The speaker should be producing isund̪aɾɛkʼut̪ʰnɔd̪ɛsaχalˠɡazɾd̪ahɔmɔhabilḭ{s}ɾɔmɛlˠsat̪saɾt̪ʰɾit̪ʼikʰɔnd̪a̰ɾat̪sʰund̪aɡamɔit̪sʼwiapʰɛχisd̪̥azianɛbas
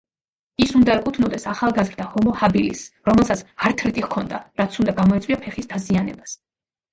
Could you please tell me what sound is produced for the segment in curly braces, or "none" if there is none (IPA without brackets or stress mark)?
s